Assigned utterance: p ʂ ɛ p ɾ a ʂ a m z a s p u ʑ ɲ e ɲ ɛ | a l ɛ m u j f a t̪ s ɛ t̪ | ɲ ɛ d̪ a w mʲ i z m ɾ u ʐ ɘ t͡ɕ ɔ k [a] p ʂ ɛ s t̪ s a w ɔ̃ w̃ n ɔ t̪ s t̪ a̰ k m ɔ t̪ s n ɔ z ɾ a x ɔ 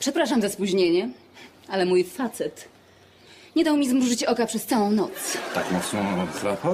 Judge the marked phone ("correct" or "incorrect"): correct